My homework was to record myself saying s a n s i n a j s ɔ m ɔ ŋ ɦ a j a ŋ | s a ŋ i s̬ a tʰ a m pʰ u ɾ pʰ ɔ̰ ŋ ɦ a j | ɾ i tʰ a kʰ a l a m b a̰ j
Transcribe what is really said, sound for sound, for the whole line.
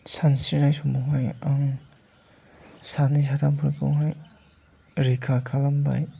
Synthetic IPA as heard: s a n s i n a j s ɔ m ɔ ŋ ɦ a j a ŋ | s a n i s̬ a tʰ a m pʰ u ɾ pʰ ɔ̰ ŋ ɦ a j | ɾ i kʰ a kʰ a l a m b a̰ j